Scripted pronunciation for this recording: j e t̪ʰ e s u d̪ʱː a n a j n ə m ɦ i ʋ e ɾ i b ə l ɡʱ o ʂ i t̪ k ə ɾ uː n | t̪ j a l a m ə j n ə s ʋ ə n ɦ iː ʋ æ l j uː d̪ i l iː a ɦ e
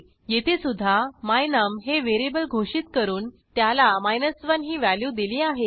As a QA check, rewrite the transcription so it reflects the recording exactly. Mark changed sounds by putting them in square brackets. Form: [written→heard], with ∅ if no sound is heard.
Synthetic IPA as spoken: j e t̪ʰ e s u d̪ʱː a [n→m] a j n ə m ɦ [i→e] ʋ e ɾ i b ə l ɡʱ o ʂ i t̪ k ə ɾ uː n | t̪ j a l a m [ə→a] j n ə s ʋ ə n ɦ iː ʋ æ l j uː d̪ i l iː a ɦ e